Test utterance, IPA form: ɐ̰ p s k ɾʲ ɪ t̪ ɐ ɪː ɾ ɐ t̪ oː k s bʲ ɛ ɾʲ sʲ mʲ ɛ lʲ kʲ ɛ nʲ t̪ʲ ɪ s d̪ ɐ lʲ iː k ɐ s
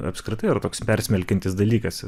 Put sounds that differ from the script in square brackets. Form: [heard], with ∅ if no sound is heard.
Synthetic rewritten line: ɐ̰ p s k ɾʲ ɪ t̪ ɐ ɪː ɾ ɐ t̪ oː k s [pʲ] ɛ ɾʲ sʲ mʲ ɛ lʲ kʲ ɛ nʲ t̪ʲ ɪ s d̪ ɐ lʲ iː k ɐ s